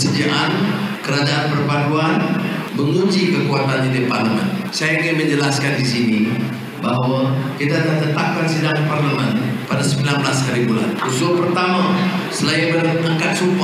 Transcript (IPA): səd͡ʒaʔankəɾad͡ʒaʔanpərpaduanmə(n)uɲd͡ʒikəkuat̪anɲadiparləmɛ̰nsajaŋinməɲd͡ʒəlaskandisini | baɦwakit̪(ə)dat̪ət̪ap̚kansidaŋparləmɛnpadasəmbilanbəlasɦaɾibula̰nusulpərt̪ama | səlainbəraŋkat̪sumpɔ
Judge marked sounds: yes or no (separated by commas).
no, no